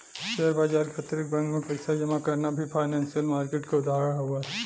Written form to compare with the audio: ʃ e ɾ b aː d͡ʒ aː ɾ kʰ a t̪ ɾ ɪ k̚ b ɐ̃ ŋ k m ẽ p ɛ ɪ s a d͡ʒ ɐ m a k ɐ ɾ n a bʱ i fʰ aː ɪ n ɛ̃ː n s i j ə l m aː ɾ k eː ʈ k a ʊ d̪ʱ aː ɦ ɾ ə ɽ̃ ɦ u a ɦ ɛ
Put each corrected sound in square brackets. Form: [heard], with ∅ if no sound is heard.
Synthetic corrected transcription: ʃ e ɾ b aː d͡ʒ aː ɾ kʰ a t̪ ɾ ɪ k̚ b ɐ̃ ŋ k m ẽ p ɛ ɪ s a d͡ʒ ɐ m a k ɐ ɾ n a bʱ i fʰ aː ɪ n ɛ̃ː n s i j ə l m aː ɾ k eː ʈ k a ʊ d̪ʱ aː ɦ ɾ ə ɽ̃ ɦ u a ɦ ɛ